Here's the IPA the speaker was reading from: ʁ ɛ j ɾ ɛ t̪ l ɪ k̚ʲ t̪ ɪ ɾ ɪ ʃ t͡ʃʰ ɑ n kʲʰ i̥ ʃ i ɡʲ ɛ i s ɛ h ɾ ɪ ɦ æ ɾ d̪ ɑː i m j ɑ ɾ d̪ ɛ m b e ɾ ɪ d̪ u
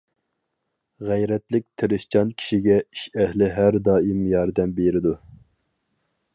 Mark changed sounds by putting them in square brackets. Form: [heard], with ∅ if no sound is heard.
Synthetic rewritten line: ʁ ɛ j ɾ ɛ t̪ l ɪ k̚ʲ [t̪ʰ] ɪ ɾ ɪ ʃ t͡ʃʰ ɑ n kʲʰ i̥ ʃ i ɡʲ ɛ i [ʃ] ɛ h [l] ɪ ɦ æ ɾ d̪ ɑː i m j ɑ ɾ d̪ ɛ m b e ɾ ɪ d̪ u

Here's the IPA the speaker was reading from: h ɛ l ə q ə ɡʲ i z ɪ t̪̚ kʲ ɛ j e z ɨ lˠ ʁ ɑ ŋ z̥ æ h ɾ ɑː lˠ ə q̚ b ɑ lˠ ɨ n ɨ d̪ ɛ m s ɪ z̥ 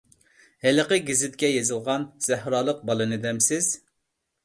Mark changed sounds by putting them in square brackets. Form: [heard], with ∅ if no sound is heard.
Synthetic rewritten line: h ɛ l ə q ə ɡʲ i z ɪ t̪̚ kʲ ɛ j e z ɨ lˠ ʁ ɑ [n] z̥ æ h ɾ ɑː lˠ ə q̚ b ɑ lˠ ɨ n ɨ d̪ ɛ m s ɪ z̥

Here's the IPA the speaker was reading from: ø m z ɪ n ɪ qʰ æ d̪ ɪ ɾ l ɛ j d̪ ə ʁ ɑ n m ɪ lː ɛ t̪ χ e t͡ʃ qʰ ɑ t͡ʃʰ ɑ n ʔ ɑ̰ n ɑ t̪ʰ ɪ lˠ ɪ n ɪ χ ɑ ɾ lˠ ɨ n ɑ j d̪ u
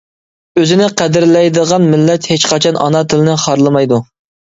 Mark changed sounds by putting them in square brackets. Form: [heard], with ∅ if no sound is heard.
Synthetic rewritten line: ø [∅] z ɪ n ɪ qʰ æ d̪ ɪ ɾ l ɛ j d̪ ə ʁ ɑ n m ɪ lː ɛ t̪ [h] e t͡ʃ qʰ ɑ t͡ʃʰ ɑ n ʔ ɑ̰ n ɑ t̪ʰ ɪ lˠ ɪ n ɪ χ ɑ ɾ lˠ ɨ [m] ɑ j d̪ u

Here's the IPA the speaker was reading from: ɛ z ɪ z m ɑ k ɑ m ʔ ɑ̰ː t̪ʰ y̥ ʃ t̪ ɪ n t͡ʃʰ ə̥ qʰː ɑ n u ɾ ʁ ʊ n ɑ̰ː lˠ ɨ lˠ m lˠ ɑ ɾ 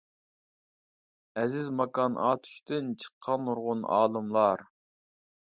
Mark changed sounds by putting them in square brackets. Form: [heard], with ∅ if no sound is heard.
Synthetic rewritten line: ɛ z ɪ z m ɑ k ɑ [n] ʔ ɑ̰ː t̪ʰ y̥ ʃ t̪ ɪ n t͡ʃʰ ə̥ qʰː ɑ n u ɾ ʁ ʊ n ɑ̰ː lˠ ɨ [∅] m lˠ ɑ ɾ

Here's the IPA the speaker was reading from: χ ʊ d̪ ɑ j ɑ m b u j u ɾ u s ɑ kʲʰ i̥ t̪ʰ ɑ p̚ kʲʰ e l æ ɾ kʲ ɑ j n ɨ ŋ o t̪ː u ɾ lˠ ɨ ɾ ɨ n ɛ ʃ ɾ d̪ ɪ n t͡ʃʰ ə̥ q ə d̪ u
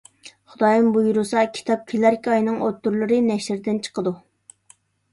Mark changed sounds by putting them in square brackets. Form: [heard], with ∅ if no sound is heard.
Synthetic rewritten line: χ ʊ d̪ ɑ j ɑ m b u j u ɾ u s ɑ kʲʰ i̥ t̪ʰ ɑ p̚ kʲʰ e l æ ɾ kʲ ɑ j n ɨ ŋ o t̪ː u ɾ lˠ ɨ ɾ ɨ n ɛ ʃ ɾ d̪ ɪ n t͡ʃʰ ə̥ q ə d̪ u

